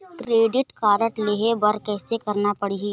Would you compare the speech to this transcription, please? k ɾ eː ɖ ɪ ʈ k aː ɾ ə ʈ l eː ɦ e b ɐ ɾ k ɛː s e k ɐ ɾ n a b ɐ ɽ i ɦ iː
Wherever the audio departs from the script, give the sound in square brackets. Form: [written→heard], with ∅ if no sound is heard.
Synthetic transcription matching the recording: k ɾ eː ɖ ɪ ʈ k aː ɾ ə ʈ l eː ɦ e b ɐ ɾ k ɛː s e k ɐ ɾ n a [b→p] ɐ ɽ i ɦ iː